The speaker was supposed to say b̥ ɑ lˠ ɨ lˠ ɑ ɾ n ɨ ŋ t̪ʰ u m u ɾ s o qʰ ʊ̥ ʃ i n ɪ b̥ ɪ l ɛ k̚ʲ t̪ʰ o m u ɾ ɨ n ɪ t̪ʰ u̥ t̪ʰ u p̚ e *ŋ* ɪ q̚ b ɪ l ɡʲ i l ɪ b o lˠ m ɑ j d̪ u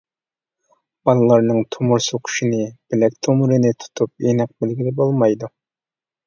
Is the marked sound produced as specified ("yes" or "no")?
no